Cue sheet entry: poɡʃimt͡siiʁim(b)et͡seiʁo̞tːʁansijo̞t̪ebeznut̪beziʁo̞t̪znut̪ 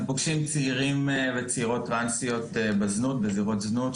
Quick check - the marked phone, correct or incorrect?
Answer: incorrect